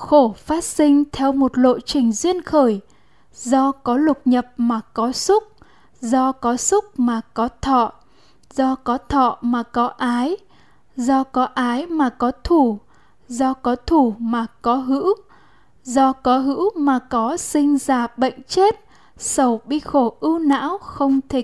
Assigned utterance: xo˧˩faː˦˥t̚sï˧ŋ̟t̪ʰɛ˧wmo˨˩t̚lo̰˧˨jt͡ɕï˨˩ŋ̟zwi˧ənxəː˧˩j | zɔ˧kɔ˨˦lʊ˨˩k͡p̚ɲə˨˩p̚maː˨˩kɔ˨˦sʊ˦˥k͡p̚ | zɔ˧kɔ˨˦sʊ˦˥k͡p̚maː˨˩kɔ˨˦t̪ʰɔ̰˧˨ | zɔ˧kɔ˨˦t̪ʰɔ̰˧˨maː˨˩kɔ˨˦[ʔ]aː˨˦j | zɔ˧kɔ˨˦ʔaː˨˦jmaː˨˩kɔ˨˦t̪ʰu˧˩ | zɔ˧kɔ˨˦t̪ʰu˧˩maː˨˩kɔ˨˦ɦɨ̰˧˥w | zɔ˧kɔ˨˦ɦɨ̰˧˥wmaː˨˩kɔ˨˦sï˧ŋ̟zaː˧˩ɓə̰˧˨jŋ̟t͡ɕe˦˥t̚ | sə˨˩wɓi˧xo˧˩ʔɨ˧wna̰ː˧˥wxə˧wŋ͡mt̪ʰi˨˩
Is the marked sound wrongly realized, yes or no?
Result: no